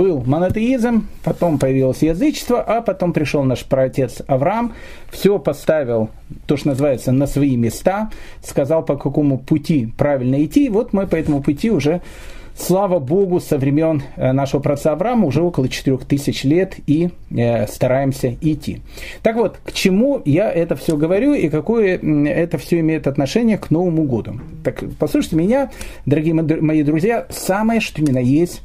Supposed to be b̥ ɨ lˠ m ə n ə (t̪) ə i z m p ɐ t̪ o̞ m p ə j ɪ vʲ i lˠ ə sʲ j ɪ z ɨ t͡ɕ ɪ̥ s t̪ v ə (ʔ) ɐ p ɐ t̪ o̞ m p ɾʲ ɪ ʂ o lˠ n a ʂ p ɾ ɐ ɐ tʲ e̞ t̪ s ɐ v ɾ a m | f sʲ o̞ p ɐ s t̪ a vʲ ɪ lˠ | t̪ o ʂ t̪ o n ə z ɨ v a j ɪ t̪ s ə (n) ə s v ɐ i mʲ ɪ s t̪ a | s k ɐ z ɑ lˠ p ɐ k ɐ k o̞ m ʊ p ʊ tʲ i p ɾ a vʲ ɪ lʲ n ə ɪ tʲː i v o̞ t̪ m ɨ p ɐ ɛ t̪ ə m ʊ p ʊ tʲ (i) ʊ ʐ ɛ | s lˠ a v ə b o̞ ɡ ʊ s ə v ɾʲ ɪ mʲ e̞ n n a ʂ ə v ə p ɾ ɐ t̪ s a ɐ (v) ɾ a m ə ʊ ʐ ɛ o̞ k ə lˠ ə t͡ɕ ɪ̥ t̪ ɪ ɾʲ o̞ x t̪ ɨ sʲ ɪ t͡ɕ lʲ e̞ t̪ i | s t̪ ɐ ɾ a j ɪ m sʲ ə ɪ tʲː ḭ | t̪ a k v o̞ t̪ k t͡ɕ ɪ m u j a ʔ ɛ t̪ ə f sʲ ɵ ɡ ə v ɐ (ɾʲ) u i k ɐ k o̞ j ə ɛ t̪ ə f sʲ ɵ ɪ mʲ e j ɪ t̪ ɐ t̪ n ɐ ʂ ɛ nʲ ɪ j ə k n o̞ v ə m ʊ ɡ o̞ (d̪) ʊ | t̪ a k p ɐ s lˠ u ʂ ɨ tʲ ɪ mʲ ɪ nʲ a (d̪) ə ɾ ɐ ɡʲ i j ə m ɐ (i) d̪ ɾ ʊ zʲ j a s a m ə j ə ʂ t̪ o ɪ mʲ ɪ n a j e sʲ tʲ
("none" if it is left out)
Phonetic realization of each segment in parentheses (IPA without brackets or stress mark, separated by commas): t̪, ʔ, n, i, v, ɾʲ, d̪, d̪, i